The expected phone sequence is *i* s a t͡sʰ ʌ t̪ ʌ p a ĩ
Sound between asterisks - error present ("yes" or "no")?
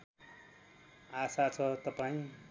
yes